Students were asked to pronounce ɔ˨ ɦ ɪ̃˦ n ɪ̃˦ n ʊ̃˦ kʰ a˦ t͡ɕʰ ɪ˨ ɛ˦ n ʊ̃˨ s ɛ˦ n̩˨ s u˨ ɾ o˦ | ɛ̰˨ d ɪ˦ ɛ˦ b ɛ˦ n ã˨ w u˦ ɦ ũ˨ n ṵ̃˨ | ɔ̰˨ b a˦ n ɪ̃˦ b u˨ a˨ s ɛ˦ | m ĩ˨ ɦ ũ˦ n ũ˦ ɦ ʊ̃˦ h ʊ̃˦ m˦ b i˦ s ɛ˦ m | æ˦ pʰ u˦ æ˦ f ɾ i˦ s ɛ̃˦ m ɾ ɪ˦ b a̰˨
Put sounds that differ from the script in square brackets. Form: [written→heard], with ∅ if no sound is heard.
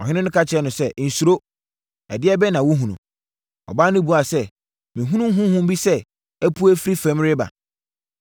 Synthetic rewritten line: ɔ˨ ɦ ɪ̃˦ n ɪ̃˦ n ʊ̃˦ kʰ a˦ t͡ɕʰ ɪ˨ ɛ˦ n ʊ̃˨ s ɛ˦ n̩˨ s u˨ ɾ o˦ | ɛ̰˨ d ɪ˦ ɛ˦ b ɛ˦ n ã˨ w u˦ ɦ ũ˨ n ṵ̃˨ | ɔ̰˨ b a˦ n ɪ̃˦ b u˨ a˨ s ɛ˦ | m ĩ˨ ɦ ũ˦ n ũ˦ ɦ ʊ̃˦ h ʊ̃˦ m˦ b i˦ s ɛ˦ [m→∅] | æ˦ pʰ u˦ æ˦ f ɾ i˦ [s→f] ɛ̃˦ m ɾ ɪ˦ b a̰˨